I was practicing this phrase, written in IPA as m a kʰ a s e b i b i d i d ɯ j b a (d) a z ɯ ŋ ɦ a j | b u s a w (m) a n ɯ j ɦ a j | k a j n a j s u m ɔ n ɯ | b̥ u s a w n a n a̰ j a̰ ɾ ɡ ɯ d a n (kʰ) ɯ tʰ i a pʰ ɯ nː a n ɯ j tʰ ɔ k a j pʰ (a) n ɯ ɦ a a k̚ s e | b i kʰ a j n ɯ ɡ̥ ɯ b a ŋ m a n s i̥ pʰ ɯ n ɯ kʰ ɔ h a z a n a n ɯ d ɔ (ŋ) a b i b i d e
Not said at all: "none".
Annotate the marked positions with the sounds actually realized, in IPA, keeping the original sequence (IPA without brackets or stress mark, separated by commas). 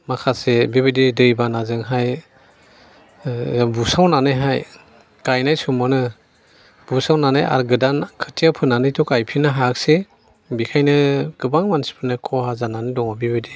n, n, kʰ, i, ŋ